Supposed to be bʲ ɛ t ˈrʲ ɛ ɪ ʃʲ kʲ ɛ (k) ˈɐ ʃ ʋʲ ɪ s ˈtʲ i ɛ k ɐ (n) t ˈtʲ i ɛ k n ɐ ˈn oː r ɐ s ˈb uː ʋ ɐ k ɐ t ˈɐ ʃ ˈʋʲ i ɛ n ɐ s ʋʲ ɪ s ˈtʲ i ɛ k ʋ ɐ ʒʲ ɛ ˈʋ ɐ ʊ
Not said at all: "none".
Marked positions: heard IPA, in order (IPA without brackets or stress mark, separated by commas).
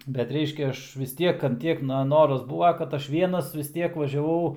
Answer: none, n